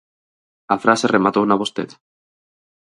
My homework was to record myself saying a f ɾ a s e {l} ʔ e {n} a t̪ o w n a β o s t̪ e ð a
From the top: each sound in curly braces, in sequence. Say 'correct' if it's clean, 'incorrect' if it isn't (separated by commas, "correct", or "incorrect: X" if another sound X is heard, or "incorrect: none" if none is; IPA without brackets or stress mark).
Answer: incorrect: r, incorrect: m